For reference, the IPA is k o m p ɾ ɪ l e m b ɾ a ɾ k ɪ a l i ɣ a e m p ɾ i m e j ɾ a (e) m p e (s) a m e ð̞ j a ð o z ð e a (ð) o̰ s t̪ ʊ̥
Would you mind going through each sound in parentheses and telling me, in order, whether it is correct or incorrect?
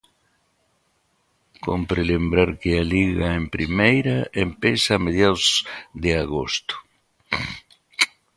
correct, correct, incorrect

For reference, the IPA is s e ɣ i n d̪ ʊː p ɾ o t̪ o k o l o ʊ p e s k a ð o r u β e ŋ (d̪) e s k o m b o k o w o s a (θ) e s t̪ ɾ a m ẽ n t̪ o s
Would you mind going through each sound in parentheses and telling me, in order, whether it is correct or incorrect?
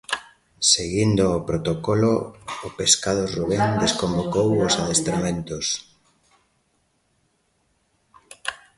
correct, incorrect

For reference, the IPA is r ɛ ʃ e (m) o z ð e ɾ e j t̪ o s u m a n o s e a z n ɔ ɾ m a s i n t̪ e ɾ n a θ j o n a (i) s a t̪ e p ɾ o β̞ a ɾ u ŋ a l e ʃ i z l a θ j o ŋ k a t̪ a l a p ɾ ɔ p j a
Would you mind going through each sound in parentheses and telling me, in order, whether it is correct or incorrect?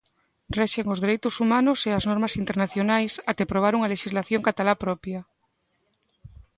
incorrect, incorrect

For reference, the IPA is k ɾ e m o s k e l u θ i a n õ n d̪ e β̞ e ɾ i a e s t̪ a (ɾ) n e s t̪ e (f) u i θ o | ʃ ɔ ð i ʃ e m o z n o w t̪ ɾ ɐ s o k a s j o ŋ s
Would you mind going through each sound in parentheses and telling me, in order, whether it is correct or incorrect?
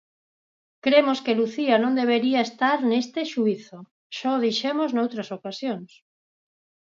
correct, incorrect

